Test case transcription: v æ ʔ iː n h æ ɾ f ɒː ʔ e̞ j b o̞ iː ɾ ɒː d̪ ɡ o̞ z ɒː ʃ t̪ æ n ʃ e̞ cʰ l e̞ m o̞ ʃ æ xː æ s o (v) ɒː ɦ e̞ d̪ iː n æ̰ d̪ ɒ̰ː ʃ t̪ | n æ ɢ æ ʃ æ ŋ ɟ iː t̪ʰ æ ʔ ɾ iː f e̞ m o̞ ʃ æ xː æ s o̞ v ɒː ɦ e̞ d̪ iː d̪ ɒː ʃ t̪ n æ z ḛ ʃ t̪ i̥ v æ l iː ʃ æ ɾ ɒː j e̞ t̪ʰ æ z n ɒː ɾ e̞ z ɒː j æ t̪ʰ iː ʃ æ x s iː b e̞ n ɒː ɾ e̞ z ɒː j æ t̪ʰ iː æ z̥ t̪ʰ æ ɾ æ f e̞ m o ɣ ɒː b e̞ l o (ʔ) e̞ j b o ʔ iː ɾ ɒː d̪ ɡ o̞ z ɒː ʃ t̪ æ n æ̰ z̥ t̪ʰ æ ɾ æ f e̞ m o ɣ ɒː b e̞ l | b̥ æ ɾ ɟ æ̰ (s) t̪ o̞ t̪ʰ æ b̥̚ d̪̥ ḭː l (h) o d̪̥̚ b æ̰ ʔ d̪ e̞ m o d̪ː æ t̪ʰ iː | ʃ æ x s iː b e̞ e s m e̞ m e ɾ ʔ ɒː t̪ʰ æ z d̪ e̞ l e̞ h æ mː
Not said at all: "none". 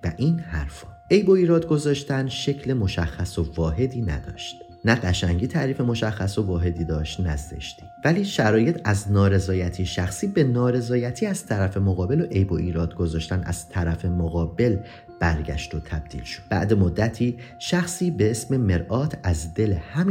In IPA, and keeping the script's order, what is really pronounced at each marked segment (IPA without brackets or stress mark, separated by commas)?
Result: v, ʔ, ʃ, ʃ